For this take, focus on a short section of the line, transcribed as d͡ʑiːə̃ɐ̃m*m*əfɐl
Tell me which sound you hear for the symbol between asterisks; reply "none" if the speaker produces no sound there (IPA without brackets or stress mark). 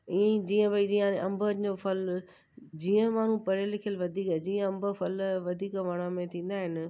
b